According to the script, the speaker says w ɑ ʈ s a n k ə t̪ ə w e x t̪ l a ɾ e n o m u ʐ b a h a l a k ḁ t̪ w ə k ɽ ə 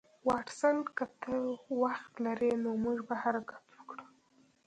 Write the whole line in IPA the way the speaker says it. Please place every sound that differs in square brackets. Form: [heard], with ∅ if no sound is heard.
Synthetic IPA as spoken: w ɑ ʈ s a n k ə t̪ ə w [a] x t̪ l a ɾ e n o m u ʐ b a h a [ɾ] a k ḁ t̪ w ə k ɽ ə